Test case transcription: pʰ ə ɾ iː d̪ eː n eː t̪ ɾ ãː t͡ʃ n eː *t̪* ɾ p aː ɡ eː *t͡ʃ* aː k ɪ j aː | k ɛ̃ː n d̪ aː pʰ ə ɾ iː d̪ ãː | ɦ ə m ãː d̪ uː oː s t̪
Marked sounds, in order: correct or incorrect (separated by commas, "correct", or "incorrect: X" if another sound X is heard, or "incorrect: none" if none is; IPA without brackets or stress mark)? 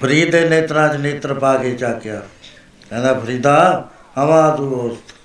correct, correct